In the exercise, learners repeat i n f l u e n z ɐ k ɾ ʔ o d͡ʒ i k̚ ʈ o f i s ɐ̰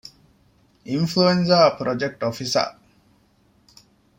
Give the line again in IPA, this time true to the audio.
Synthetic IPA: i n f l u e n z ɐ p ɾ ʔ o d͡ʒ e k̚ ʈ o f i s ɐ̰